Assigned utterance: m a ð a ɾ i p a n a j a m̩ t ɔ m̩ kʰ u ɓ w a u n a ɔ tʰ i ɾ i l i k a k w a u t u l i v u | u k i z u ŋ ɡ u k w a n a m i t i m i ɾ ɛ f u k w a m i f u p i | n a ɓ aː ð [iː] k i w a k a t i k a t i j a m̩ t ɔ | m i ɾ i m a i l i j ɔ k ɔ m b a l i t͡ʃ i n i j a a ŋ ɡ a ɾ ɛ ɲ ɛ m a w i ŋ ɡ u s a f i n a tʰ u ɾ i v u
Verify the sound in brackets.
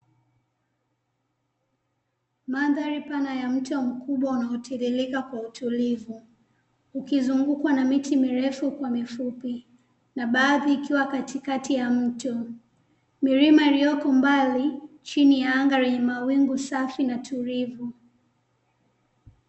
correct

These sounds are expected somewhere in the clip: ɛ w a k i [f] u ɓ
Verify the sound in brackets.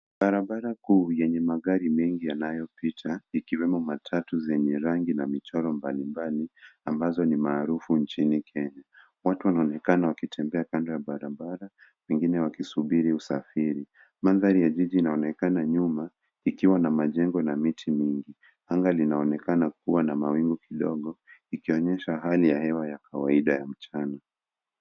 incorrect: s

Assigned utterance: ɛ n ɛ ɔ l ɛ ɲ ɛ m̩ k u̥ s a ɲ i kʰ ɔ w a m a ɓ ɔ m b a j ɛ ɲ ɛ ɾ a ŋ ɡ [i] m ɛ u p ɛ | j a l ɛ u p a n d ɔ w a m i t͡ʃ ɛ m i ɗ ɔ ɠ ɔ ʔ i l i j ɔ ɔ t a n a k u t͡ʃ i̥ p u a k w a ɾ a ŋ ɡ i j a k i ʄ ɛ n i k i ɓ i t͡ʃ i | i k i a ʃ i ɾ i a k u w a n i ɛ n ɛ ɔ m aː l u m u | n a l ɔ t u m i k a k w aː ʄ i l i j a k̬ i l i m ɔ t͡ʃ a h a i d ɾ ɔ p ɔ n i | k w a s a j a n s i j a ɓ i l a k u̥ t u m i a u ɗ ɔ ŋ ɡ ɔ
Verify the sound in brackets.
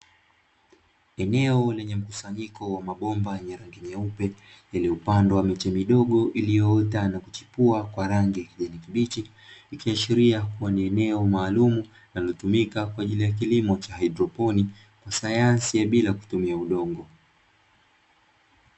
correct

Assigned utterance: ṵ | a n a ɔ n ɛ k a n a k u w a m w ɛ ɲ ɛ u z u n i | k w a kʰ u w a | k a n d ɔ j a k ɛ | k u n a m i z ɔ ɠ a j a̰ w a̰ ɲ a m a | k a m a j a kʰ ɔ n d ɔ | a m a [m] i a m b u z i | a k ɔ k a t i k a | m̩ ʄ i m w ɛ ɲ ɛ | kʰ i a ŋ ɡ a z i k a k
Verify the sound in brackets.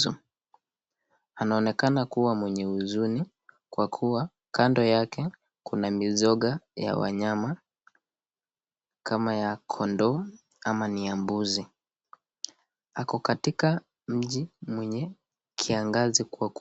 incorrect: n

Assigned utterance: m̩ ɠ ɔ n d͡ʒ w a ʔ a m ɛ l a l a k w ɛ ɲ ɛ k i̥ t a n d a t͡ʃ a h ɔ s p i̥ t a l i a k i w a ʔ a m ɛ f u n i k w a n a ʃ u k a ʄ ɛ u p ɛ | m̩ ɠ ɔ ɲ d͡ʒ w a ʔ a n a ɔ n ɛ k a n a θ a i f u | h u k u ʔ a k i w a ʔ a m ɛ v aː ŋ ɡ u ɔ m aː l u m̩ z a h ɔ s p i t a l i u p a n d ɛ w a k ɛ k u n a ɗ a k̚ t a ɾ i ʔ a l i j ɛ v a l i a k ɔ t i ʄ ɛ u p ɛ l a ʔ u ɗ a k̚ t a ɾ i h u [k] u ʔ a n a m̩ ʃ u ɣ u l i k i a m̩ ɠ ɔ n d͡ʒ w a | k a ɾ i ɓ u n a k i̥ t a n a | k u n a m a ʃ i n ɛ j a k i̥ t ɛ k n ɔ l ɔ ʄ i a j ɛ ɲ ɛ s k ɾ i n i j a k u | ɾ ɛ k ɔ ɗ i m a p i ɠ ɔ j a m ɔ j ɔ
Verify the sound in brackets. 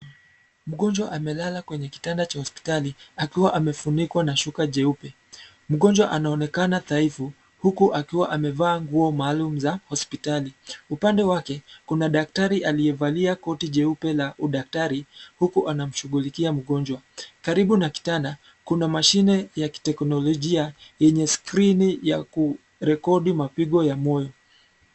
correct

